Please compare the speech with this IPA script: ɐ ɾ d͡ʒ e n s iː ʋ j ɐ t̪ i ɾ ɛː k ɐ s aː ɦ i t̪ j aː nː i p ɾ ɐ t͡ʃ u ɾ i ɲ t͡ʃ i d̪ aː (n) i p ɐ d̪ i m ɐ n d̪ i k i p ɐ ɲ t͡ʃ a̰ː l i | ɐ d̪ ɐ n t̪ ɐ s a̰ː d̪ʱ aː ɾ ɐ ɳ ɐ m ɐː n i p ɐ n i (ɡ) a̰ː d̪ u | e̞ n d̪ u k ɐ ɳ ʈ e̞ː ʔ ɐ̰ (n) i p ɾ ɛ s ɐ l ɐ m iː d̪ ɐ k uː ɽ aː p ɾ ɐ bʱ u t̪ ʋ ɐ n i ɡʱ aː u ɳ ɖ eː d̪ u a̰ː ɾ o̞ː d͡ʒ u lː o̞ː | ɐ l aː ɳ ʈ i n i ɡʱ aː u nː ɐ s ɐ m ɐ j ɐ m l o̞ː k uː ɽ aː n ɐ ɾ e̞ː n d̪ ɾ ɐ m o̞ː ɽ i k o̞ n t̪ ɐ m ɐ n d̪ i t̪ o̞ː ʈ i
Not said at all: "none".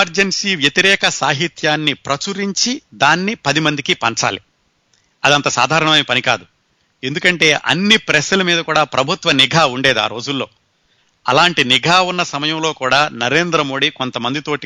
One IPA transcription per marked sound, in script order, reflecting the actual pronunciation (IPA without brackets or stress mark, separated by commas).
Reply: nː, k, nː